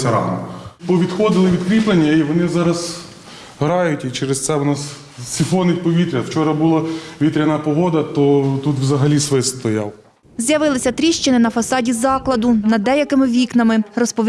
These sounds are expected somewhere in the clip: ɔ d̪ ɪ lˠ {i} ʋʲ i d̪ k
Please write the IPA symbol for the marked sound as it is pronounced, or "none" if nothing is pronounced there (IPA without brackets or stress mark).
ɪ